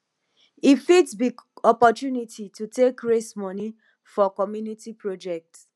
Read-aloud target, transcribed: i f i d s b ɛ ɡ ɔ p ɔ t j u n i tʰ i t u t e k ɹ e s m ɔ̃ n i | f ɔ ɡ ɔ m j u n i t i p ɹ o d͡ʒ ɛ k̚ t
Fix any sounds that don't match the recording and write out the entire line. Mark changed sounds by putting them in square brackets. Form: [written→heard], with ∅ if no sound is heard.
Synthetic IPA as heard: i f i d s b [ɛ→i] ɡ ɔ p ɔ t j u n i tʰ i t u t e k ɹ e s m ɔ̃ n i | f ɔ [ɡ→k] ɔ m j u n i t i p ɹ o d͡ʒ ɛ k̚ t